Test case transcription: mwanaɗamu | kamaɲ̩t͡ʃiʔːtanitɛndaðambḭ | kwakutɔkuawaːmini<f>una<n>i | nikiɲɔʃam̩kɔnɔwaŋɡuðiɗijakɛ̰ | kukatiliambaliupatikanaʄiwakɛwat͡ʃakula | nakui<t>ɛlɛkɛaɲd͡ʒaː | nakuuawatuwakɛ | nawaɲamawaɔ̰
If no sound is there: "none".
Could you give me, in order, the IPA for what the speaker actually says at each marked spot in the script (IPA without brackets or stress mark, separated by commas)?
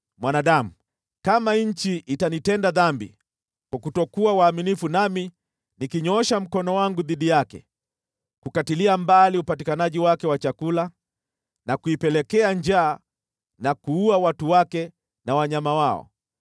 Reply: f, m, p